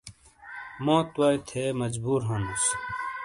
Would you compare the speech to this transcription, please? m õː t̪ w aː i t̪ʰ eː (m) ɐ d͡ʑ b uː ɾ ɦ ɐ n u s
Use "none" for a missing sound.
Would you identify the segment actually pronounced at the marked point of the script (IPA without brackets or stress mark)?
m